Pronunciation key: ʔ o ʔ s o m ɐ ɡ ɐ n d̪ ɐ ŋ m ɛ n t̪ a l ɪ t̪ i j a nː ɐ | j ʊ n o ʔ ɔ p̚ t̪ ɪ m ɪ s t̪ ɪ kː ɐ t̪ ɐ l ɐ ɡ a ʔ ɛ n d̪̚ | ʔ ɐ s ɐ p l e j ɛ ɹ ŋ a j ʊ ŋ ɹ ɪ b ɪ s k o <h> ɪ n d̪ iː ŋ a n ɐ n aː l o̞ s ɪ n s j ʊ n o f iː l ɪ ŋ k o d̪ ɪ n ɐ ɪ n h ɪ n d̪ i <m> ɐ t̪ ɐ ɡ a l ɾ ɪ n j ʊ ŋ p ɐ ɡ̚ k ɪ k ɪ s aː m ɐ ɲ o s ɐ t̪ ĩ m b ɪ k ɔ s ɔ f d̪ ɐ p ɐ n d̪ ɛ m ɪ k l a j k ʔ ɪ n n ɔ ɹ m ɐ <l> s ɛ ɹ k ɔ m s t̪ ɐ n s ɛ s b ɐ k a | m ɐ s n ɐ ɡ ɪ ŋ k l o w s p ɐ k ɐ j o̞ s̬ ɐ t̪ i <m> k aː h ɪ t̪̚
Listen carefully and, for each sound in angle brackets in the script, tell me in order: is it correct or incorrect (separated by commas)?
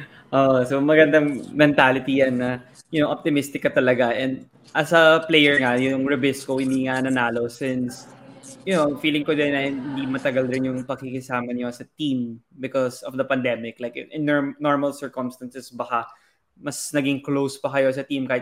correct, correct, correct, correct